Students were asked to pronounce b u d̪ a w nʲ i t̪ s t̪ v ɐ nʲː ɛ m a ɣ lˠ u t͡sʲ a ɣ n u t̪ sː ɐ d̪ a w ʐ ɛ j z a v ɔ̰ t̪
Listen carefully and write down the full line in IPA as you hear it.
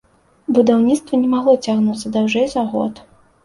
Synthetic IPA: b u d̪ a w nʲ i t̪ s t̪ v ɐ nʲ ɛ m a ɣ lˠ ɔ t͡sʲ a ɣ n u t̪ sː ɐ d̪ a w ʐ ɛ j z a ɣ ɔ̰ t̪